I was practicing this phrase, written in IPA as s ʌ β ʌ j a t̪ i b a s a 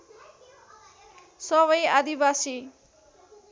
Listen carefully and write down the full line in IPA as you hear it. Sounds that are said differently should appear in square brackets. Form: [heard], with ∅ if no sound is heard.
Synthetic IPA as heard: s ʌ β ʌ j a [d̪] i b a s [i]

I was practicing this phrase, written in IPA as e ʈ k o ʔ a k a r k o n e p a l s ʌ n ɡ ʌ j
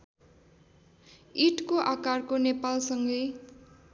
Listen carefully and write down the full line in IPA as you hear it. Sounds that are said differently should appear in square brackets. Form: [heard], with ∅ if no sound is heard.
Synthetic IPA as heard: [i] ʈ k o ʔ a k a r k o n e p a l s ʌ [ŋ] ɡ ʌ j

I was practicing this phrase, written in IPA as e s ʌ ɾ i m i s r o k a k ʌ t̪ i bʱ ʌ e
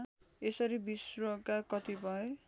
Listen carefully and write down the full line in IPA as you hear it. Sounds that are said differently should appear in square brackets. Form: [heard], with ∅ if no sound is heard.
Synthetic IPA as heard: e s ʌ ɾ i [b] i s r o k a k ʌ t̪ i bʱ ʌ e

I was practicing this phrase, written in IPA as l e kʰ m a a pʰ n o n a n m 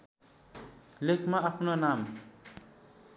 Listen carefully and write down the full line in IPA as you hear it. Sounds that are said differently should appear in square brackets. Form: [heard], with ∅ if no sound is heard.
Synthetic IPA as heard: l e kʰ m a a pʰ n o n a [∅] m

